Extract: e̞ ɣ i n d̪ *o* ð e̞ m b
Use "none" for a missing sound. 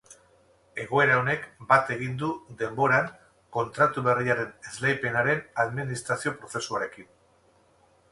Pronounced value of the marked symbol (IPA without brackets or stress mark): u